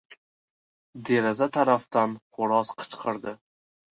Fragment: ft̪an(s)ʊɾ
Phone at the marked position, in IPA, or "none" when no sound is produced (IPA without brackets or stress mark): χ